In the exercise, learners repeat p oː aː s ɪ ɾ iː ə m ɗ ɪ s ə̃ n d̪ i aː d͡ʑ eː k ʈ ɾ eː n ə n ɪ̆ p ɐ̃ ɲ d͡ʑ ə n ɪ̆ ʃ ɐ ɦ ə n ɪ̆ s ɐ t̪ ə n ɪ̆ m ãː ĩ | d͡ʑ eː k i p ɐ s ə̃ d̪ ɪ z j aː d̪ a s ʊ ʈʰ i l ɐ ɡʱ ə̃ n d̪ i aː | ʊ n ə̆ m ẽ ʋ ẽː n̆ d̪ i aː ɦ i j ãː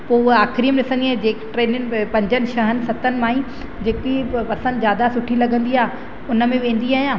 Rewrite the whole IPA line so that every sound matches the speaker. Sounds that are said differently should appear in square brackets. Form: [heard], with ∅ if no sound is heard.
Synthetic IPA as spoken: p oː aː [x] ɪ ɾ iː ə m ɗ ɪ s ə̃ n d̪ i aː d͡ʑ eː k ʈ ɾ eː n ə n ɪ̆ p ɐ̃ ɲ d͡ʑ ə n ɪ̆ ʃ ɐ ɦ ə n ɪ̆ s ɐ t̪ ə n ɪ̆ m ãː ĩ | d͡ʑ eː k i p ɐ s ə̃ d̪ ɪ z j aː d̪ a s ʊ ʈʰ i l ɐ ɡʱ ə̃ n d̪ i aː | ʊ n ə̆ m ẽ ʋ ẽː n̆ d̪ i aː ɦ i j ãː